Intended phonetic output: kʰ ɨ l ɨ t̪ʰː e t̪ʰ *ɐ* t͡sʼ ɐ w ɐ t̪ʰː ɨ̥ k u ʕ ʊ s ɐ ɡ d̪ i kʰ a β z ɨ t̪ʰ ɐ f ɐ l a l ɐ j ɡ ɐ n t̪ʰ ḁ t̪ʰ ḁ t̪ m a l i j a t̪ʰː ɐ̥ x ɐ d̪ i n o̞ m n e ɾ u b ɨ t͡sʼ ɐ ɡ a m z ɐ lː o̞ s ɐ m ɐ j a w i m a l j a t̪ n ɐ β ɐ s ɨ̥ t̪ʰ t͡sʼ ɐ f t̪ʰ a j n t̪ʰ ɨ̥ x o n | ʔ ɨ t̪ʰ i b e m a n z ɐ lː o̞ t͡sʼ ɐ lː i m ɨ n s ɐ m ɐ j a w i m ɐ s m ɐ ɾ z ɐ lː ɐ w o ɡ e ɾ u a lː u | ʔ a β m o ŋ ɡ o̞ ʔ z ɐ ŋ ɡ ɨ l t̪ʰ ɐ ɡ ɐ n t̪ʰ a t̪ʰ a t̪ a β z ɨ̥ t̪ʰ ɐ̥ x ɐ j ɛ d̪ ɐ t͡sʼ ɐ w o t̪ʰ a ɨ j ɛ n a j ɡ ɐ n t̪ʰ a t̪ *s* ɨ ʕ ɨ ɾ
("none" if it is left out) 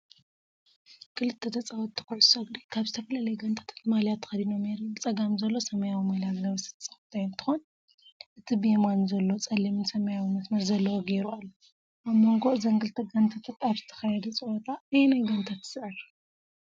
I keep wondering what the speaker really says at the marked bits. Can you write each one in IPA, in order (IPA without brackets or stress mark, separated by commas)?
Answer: ɐ, s